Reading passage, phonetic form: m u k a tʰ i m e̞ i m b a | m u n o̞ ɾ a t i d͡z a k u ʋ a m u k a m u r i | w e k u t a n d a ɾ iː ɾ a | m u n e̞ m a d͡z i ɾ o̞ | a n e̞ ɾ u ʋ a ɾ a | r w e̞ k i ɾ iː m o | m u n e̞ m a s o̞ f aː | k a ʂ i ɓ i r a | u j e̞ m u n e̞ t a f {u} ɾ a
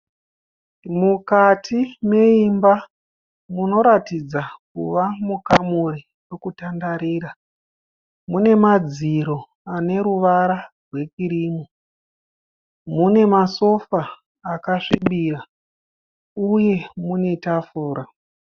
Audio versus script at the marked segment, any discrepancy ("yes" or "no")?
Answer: yes